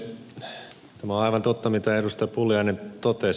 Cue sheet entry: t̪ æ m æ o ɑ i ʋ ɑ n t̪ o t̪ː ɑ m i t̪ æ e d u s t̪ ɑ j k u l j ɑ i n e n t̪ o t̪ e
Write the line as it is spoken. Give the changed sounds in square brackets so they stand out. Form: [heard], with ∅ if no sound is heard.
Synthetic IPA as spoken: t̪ æ m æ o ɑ i ʋ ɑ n t̪ o t̪ː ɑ m i t̪ æ e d u s t̪ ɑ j [p] u l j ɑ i n e n t̪ o t̪ e